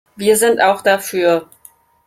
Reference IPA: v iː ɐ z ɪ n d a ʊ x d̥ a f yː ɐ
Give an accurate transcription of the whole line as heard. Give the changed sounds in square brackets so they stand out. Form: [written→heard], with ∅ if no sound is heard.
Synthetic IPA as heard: v iː ɐ z ɪ n [d→t] a ʊ x d̥ a f yː ɐ